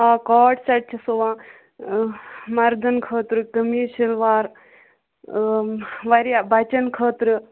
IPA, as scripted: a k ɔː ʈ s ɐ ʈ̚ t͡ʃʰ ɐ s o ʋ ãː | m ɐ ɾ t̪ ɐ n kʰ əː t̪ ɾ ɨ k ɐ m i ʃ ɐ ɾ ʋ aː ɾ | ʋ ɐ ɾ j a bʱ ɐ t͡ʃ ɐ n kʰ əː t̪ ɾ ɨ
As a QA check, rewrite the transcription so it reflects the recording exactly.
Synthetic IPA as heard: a k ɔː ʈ s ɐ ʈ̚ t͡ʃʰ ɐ s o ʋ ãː | m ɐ ɾ d̪ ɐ n kʰ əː t̪ ɾ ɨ k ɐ m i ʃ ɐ l ʋ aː ɾ | ʋ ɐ ɾ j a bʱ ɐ t͡ʃ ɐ n kʰ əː t̪ ɾ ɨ